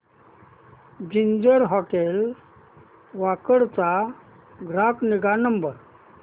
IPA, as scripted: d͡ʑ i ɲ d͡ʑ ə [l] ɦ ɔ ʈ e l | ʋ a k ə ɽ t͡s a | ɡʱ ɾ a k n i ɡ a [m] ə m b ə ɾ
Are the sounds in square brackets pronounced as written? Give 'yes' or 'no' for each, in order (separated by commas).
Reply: no, no